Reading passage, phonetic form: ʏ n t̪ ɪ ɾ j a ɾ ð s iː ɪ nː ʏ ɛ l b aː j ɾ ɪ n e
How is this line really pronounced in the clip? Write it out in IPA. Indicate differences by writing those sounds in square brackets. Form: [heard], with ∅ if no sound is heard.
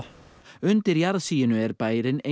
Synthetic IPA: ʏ n t̪ ɪ ɾ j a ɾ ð s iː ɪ [n] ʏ ɛ [ɾ] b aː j ɾ ɪ n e